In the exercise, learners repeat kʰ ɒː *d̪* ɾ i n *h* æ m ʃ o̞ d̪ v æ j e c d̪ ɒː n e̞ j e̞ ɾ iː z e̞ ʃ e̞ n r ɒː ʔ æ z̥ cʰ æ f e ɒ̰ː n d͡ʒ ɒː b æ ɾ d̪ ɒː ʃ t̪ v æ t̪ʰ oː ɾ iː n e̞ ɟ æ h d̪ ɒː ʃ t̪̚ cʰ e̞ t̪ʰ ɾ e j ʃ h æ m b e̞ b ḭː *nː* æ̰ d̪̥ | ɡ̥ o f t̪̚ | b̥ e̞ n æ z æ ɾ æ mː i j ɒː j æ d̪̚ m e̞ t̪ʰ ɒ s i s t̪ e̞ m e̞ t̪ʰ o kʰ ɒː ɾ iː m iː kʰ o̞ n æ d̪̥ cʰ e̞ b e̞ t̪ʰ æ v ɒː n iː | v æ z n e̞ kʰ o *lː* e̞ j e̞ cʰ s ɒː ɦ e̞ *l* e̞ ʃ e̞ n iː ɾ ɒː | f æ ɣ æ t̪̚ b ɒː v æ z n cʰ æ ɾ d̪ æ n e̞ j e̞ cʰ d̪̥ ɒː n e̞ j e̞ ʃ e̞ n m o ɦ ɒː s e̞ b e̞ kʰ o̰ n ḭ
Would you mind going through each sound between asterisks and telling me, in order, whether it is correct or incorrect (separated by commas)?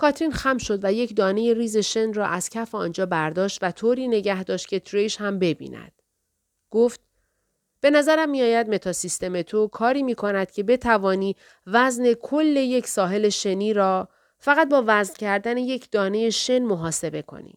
incorrect, incorrect, incorrect, correct, correct